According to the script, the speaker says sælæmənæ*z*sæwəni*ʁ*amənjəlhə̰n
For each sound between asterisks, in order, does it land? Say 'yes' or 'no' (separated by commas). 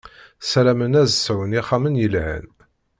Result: yes, no